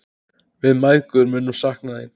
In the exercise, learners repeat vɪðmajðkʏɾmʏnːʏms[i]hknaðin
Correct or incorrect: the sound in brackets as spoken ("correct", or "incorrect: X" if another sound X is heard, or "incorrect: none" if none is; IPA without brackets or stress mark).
incorrect: a